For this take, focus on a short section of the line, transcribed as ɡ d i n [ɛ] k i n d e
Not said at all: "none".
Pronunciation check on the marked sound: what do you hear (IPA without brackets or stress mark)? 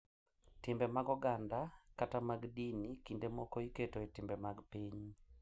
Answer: i